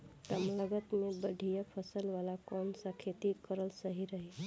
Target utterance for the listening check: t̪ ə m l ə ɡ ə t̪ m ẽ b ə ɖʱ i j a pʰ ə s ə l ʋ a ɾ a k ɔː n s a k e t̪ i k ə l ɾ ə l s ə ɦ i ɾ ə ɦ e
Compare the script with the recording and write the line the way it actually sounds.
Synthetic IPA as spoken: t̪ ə m l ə ɡ ə t̪ m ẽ b ə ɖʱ i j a pʰ ə s ə l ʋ a l a k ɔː n s a kʰ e t̪ i k ə ɾ ə l s ə ɦ i ɾ ə ɦ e